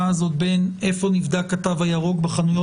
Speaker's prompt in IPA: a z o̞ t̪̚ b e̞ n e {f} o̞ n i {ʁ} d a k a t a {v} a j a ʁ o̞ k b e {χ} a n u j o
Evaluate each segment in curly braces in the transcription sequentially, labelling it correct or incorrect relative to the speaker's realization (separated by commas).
correct, incorrect, correct, correct